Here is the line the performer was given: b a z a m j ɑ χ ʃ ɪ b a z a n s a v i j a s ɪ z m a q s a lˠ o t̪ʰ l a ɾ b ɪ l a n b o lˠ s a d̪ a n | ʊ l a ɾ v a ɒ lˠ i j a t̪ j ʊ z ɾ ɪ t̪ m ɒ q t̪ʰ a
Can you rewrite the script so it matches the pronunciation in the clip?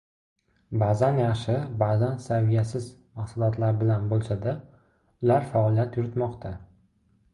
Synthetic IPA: b a z a n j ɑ χ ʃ ɪ b a z a n s a v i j a s ɪ z m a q s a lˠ ɒ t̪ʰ l a ɾ b ɪ l a n b o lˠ s a d̪ a | ʊ l a ɾ f a ɒ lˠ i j a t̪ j ʊ ɾ ɪ t̪ m ɒ q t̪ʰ a